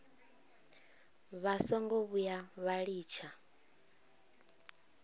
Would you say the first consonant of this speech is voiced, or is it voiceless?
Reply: voiced